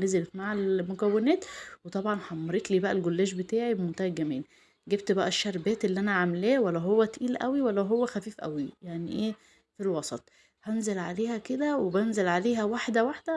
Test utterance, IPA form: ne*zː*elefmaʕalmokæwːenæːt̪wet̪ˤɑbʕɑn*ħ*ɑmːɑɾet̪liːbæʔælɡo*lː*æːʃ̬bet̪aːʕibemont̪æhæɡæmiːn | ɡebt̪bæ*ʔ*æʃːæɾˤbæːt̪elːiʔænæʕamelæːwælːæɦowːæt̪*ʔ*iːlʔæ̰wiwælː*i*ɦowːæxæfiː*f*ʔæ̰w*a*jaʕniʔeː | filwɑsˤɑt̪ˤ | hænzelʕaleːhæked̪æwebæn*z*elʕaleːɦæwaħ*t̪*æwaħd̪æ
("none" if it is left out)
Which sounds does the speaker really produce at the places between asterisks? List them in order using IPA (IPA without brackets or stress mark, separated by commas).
z, ħ, lː, ʔ, ʔ, æ, f, i, z, d̪